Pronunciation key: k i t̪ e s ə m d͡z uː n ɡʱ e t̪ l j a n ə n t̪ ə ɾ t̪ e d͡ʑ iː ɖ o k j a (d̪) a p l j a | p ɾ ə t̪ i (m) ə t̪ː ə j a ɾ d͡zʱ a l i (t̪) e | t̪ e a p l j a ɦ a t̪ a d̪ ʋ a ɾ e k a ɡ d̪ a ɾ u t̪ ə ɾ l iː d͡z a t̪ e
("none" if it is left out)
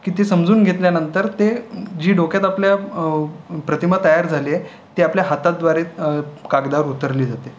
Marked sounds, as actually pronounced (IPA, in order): t̪, m, none

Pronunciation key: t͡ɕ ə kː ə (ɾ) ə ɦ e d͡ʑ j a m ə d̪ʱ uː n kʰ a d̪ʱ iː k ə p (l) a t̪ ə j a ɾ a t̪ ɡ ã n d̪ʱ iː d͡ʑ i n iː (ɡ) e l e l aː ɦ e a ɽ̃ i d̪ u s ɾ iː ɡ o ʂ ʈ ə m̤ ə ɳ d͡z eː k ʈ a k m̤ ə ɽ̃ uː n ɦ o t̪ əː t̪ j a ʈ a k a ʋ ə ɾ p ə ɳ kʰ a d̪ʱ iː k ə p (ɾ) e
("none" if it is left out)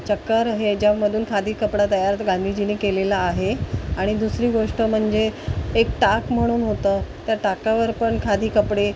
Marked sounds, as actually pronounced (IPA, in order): ɾ, ɽ, k, ɽ

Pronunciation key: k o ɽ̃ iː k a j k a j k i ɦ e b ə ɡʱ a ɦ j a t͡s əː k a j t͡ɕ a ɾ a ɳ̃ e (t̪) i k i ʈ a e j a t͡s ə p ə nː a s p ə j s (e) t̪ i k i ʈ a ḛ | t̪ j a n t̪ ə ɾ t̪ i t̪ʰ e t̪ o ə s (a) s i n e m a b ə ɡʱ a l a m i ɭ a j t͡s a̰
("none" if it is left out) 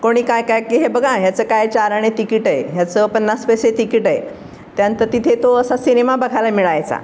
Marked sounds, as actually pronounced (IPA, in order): t̪, e, a

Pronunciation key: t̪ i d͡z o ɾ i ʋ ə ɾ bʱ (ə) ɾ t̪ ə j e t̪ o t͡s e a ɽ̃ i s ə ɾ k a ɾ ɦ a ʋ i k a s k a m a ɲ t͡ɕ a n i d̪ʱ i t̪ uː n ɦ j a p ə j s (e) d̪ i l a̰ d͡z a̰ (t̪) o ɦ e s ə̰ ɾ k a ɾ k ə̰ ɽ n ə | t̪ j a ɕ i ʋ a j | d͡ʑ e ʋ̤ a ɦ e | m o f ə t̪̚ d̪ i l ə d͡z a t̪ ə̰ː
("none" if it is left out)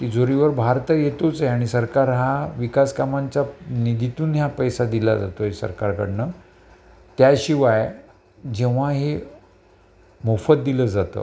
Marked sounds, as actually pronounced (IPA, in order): a, a, t̪

